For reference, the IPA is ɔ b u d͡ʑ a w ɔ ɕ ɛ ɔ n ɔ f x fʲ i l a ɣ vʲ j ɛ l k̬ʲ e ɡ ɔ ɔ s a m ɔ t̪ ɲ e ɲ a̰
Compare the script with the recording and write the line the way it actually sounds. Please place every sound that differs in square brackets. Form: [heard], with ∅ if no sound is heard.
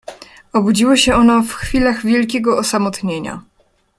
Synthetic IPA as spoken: ɔ b u d͡ʑ [i] w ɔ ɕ ɛ ɔ n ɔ f x fʲ i l a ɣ vʲ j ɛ l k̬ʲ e ɡ ɔ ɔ s a m ɔ t̪ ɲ e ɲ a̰

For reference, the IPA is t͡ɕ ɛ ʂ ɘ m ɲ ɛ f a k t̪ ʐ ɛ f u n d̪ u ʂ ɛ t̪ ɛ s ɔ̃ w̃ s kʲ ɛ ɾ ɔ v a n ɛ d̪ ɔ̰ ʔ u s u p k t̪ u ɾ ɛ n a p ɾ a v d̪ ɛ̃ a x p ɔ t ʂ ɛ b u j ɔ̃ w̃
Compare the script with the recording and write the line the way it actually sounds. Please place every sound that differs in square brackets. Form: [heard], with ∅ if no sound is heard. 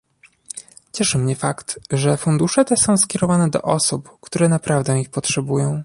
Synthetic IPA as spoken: t͡ɕ ɛ ʂ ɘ m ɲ ɛ f a k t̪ ʐ ɛ f u n d̪ u ʂ ɛ t̪ ɛ s ɔ̃ w̃ s kʲ ɛ ɾ ɔ v a n ɛ d̪ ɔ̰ ʔ [ɔ] s u p k t̪ u ɾ ɛ n a p ɾ a v d̪ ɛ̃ [i] x p ɔ t ʂ ɛ b u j ɔ̃ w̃

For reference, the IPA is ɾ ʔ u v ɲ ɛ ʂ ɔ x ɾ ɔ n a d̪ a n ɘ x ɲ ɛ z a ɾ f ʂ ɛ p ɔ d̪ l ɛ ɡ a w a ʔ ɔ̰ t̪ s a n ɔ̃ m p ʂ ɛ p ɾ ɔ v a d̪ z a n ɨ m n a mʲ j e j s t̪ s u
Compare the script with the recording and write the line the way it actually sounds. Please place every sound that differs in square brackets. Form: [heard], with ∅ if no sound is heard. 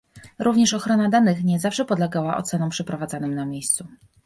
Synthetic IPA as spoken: ɾ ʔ u v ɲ ɛ ʂ ɔ x ɾ ɔ n a d̪ a n ɘ x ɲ ɛ z a [∅] f ʂ ɛ p ɔ d̪ l ɛ ɡ a w a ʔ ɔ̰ t̪ s [ɛ] n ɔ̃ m p ʂ ɛ p ɾ ɔ v a d̪ z a n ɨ m n a mʲ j e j s t̪ s u

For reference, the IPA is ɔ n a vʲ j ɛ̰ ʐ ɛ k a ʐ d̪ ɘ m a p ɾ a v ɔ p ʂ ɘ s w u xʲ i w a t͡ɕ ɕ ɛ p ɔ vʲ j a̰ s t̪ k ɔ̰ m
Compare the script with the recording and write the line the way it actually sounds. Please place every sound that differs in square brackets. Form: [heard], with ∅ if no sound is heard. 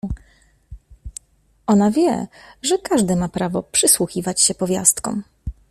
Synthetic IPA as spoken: ɔ n a vʲ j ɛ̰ ʐ ɛ k a ʐ d̪ ɘ m a p ɾ a v ɔ p ʂ ɘ s w u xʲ i [v] a t͡ɕ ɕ ɛ p ɔ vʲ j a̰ s t̪ k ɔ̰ m

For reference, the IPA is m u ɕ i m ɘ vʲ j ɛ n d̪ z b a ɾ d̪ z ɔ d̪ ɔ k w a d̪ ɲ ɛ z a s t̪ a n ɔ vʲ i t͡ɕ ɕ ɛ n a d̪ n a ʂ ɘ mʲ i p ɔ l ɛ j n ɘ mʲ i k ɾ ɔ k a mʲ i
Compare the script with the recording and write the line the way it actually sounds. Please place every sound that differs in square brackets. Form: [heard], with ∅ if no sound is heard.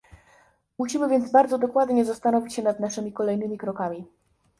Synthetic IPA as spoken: m u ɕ i m ɘ vʲ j ɛ n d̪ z b a ɾ d̪ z ɔ d̪ ɔ k w a d̪ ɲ ɛ z a s t̪ a n ɔ vʲ i t͡ɕ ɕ ɛ n a d̪ n a ʂ ɘ mʲ i [k] ɔ l ɛ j n ɘ mʲ i k ɾ ɔ k a mʲ i

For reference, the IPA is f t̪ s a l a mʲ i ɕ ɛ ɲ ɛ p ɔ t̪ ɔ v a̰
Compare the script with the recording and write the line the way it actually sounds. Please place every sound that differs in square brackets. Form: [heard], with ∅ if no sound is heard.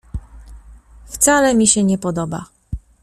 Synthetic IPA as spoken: f t̪ s a l [ɛ] mʲ i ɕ ɛ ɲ ɛ p ɔ [d̪] ɔ [b] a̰

